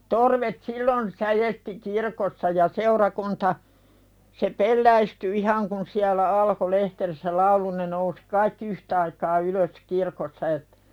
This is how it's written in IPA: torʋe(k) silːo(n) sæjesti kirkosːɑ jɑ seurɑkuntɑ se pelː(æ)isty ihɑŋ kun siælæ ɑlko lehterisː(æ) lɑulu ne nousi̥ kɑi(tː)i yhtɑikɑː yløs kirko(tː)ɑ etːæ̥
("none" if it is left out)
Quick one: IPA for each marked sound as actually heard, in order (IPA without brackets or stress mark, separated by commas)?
t, n, æ, æ, kː, sː